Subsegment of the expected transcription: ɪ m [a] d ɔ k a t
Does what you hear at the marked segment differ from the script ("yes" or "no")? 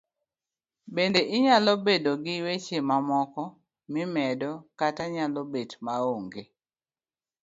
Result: yes